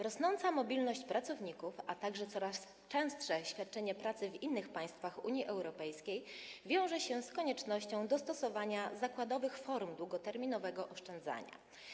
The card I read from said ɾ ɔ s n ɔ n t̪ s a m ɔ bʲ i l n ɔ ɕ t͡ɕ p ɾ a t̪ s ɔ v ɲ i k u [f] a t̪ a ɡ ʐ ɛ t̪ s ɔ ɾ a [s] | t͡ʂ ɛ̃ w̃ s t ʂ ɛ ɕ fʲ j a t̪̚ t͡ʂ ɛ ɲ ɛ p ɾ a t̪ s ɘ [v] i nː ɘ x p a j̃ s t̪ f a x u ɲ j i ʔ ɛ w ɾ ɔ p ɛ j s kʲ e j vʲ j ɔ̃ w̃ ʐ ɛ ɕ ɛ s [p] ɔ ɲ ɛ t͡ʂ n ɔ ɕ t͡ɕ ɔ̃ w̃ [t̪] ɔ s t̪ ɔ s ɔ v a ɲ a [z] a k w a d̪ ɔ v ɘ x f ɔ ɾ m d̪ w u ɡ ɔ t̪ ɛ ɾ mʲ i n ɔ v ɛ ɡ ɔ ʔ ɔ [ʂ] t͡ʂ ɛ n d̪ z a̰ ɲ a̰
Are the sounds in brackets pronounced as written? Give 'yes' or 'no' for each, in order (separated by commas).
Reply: yes, yes, yes, no, no, yes, yes